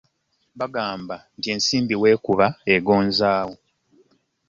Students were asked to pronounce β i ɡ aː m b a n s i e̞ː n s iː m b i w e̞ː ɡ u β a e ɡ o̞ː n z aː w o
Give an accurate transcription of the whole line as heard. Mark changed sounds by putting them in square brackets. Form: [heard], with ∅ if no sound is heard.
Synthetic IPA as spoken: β [a] ɡ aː m b a n [t] i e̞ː n s iː m b i w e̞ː [k] u β a e ɡ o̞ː n z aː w o